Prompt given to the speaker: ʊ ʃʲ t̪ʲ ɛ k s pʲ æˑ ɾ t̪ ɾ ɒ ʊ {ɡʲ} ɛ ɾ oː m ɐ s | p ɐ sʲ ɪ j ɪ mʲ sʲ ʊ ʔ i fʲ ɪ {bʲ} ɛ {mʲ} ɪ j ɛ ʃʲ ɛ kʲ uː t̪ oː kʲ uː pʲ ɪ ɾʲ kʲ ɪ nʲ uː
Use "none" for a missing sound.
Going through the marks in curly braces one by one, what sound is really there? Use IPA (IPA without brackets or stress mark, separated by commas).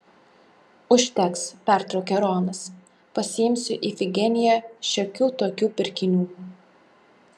kʲ, ɡʲ, nʲ